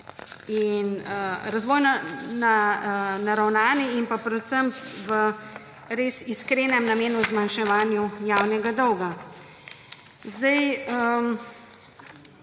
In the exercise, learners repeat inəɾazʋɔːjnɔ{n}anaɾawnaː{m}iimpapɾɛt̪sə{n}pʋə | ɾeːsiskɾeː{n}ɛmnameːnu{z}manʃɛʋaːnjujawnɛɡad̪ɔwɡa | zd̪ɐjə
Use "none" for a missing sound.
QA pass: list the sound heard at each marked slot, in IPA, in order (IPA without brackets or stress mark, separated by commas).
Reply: n, n, m, n, z